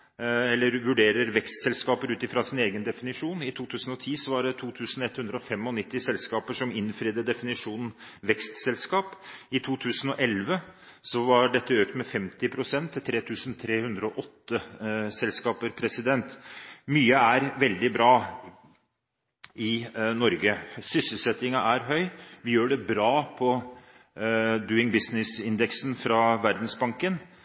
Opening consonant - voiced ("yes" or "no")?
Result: yes